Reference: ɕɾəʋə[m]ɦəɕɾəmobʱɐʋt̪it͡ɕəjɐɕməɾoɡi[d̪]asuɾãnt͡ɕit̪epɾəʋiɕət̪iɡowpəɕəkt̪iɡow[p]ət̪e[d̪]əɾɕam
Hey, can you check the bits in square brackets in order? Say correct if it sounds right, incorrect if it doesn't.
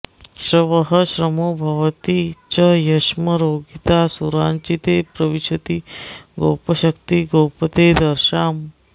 incorrect: none, incorrect: t̪, correct, correct

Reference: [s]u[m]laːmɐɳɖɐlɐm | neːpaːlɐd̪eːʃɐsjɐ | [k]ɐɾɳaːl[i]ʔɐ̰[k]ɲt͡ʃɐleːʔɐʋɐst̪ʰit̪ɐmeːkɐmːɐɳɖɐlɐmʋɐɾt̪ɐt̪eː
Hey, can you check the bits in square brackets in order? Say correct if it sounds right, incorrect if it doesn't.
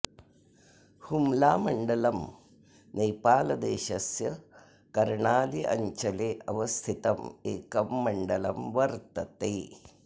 incorrect: h, correct, correct, correct, incorrect: none

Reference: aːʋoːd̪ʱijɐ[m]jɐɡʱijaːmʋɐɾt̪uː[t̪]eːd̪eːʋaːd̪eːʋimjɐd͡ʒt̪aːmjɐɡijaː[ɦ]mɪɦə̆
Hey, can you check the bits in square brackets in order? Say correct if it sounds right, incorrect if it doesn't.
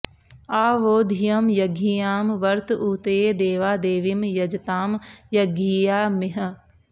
correct, correct, incorrect: none

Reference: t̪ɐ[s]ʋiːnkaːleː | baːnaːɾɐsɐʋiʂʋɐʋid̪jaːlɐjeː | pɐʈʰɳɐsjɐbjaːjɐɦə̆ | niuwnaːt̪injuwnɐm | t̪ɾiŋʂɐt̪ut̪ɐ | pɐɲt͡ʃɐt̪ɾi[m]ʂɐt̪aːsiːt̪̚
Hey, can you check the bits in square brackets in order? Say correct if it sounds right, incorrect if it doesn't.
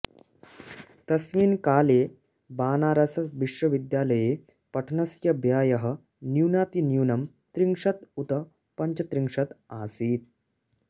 correct, incorrect: ŋ

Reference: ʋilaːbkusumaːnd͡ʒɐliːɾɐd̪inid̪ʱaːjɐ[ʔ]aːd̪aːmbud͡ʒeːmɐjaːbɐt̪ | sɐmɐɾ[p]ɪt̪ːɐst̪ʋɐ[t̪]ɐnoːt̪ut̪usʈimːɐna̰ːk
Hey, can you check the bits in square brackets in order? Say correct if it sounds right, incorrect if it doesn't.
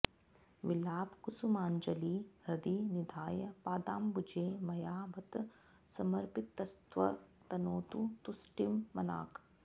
incorrect: p, correct, correct

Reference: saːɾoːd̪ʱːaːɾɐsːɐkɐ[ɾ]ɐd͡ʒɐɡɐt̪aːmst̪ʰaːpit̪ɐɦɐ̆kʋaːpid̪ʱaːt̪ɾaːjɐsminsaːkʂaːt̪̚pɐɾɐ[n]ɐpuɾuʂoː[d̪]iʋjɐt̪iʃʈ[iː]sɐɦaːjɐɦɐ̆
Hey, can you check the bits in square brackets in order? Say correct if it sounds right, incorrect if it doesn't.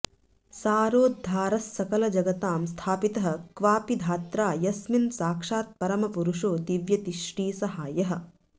incorrect: l, incorrect: m, correct, correct

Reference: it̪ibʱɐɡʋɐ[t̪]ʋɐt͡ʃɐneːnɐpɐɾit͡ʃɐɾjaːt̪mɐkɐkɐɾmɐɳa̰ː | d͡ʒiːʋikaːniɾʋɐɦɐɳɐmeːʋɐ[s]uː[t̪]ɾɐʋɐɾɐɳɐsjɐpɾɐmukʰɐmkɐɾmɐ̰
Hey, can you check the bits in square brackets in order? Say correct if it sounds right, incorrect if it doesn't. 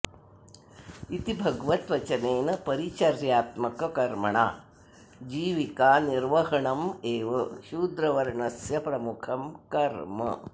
correct, incorrect: ʃ, incorrect: d̪

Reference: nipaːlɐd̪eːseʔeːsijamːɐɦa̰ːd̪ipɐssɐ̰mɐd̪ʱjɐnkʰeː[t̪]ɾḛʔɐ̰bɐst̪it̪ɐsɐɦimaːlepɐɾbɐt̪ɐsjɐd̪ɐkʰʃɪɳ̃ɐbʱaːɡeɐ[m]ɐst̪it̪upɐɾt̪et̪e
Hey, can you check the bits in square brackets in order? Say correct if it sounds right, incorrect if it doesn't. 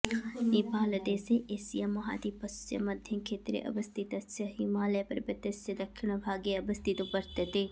correct, incorrect: b

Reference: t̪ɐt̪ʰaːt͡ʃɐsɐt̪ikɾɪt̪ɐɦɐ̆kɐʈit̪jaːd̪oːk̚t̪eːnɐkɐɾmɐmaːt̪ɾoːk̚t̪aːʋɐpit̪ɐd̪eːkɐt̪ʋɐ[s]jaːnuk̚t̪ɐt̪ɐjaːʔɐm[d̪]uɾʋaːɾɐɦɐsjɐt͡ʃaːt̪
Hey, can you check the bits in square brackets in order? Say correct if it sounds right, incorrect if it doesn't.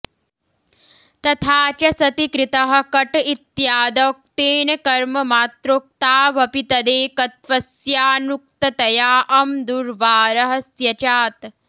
correct, correct

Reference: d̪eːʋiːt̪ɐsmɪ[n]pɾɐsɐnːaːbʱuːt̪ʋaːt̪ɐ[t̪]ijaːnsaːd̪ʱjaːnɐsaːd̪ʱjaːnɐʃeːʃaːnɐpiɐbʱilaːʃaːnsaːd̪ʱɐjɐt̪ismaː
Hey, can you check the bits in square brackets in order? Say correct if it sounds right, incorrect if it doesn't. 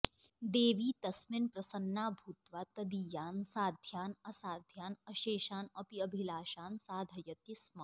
correct, incorrect: d̪

